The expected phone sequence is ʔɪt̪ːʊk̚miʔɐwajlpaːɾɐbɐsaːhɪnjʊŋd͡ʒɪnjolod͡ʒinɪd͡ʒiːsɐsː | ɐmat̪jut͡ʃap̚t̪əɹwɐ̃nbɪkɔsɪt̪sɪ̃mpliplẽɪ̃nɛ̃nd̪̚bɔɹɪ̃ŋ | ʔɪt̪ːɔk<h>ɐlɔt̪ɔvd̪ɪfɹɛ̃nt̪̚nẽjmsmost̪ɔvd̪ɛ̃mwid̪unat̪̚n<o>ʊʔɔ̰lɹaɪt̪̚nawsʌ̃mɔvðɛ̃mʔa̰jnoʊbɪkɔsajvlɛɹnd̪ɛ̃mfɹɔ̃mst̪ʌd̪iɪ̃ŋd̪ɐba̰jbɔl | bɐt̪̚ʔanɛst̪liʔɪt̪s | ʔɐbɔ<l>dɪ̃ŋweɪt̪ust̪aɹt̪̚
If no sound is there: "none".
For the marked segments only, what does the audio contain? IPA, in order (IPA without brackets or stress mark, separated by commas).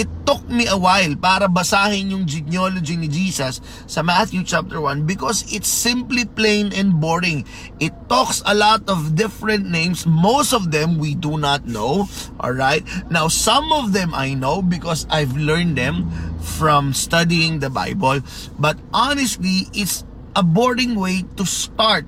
s, o, ɹ